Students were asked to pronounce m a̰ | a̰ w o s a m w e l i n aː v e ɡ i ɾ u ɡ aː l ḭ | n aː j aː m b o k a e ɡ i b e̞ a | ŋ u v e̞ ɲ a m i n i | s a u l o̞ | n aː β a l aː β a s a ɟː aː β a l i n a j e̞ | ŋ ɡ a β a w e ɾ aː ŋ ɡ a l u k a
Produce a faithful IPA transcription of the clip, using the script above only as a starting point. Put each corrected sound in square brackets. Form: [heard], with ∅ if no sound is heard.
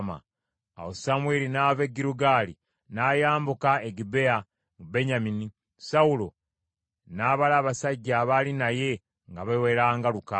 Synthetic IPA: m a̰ | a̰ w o s a m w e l i n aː v e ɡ i ɾ u ɡ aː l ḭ | n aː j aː m b [u] k a e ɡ i b e̞ a | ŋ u [b] e̞ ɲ a m i n i | s a u l o̞ | n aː β a l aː β a s a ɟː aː β a l i n a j e̞ | ŋ ɡ a β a w e ɾ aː ŋ ɡ a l u k a

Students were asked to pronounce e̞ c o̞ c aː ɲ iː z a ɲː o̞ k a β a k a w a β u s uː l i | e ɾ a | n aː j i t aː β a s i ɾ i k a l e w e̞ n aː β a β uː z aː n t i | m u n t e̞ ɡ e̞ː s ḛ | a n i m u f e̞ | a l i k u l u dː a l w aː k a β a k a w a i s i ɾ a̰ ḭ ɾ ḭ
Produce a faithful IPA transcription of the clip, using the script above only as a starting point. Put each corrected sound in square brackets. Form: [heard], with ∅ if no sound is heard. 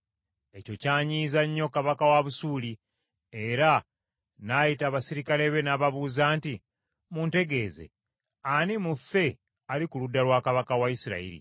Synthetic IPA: e̞ c o̞ c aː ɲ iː z a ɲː o̞ k a β a k a w a β u s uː l i | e ɾ a | n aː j i t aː β a s i ɾ i k a l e [β] e̞ n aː β a β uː z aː n t i | m u n t e̞ ɡ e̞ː [z] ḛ | a n i m u f e̞ | a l i k u l u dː a l w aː k a β a k a w a i s i ɾ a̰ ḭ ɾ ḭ

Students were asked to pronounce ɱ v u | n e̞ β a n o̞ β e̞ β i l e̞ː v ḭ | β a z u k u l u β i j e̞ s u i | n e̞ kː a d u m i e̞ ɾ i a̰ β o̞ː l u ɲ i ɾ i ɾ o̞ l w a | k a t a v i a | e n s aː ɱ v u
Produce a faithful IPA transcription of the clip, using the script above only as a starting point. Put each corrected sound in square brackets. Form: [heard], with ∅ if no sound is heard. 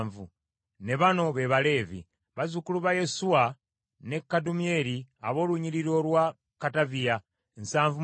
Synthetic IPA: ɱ v u | n e̞ β a n o̞ β e̞ β [a] l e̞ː v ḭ | β a z u k u l u β [a] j e̞ s u [a] | n e̞ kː a d u m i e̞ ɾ i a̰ β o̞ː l u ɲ i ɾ i ɾ o̞ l w a | k a t a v i a | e n s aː ɱ v u

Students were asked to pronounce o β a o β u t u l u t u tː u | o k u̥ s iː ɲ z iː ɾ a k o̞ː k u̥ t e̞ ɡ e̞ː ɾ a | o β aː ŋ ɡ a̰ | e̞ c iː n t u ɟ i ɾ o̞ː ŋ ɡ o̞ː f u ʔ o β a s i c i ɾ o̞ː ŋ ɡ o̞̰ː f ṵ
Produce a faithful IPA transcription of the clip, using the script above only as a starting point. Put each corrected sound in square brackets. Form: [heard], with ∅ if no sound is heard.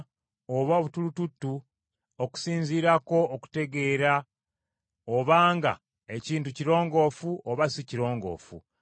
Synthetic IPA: o β a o β u t u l u t u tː u | o k u̥ s iː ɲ z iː ɾ a k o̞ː k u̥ t e̞ ɡ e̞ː ɾ a | o β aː ŋ ɡ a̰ | e̞ c iː n t u [c] i ɾ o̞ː ŋ ɡ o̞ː f u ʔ o β a s i c i ɾ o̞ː ŋ ɡ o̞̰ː f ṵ

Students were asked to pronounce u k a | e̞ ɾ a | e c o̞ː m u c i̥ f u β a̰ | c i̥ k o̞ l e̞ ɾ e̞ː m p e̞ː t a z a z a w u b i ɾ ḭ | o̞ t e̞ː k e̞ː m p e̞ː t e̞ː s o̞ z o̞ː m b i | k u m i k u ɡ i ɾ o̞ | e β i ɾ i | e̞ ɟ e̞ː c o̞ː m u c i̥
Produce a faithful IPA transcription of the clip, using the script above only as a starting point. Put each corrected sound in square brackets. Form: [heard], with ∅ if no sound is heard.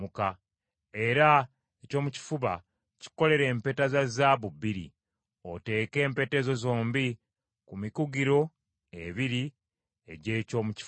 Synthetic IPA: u k a | e̞ ɾ a | e c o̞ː m u c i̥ f u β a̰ | c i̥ k o̞ l e̞ ɾ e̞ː m p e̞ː t a z a z a [β] u b i ɾ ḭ | o̞ t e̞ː k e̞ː m p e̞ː t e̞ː [z] o̞ z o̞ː m b i | k u m i k u ɡ i ɾ o̞ | e β i ɾ i | e̞ ɟ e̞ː c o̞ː m u c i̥

